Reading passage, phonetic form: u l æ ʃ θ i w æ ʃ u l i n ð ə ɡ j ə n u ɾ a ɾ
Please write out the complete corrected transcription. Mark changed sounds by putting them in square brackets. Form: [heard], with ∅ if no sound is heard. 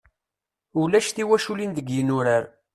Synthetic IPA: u l æ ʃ θ i w æ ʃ u l i n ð ə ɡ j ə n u ɾ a ɾ

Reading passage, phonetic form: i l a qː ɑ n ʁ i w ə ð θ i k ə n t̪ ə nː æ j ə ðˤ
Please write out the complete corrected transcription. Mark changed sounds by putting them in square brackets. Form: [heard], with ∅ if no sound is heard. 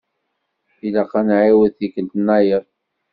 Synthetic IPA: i l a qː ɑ n [ʕ] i w ə ð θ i k ə n t̪ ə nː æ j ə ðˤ

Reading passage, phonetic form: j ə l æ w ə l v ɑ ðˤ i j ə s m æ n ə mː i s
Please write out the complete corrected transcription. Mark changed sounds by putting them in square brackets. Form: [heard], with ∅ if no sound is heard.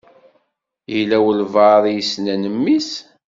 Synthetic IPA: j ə l æ w ə l v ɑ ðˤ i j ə s [n] æ n ə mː i s

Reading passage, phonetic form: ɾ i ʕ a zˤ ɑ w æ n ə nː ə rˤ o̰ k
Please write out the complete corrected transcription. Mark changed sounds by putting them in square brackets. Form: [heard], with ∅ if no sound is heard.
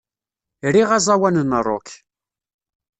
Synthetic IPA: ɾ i [ʁ] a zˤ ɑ w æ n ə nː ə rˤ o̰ k

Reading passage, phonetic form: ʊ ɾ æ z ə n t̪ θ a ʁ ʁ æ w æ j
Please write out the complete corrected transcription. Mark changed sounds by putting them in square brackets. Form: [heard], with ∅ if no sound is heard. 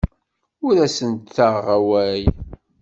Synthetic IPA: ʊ ɾ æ [s] ə n t̪ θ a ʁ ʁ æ w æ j

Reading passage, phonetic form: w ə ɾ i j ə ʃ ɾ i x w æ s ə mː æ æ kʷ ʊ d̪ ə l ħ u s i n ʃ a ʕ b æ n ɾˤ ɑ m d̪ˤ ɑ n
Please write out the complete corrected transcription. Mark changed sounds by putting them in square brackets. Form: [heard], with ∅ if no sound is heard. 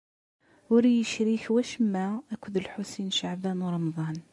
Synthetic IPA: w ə ɾ i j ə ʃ ɾ i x w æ [ʃ] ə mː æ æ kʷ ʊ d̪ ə l ħ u s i n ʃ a ʕ b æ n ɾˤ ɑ m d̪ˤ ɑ n

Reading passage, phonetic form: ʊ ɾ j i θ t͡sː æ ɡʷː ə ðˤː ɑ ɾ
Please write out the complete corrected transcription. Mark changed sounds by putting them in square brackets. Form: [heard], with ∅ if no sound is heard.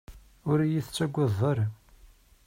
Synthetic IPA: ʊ ɾ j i θ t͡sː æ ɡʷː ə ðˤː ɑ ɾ

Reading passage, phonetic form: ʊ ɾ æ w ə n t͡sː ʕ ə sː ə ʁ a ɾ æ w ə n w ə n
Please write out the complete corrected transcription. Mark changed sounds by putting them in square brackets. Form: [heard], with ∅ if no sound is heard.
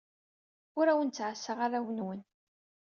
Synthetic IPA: ʊ ɾ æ w ə n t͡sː ʕ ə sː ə ʁ a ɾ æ w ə n w ə n

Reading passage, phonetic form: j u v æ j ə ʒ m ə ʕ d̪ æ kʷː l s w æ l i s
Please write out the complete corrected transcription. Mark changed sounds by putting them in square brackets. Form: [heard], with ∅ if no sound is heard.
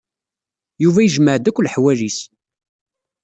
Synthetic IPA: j u v æ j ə ʒ m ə ʕ d̪ æ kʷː l [ħ] w æ l i s

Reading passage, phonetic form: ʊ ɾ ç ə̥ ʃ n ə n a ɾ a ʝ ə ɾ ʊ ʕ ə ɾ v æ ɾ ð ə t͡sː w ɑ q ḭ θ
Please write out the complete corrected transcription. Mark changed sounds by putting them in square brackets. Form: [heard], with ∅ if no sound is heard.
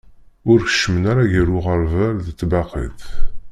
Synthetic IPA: ʊ ɾ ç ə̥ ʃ [m] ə n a ɾ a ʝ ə ɾ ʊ [ʁ] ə ɾ v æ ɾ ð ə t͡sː [b] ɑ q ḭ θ

